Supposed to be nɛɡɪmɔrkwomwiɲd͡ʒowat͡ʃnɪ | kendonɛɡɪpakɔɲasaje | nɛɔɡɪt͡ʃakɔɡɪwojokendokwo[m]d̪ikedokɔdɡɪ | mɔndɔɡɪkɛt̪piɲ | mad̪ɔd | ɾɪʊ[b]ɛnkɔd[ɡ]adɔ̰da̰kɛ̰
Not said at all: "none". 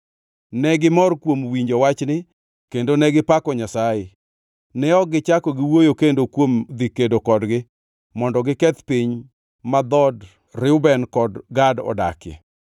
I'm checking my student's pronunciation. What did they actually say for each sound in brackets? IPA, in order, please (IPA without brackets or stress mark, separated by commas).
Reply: m, b, ɡ